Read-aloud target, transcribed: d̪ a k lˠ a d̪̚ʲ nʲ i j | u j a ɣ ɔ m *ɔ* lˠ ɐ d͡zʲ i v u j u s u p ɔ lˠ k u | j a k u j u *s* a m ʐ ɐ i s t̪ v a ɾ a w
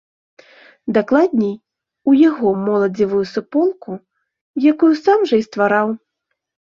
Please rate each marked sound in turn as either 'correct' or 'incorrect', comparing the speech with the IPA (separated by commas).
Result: correct, correct